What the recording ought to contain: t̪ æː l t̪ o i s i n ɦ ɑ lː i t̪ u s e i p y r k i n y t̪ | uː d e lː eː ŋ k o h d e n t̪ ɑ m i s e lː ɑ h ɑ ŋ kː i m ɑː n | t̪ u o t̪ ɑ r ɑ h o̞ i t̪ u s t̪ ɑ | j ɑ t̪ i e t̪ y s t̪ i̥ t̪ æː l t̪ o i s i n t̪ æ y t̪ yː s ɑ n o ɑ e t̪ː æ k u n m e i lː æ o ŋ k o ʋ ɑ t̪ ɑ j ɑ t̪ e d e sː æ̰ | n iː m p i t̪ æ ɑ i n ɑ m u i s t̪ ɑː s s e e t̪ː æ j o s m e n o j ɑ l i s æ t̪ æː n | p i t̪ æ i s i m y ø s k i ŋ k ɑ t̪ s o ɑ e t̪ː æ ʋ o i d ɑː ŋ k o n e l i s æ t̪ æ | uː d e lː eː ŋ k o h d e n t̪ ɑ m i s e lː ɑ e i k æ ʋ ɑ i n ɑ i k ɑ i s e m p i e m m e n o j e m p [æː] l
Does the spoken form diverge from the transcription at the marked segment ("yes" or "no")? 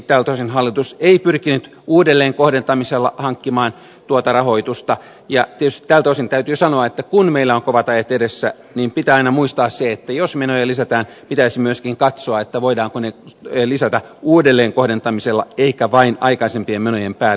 no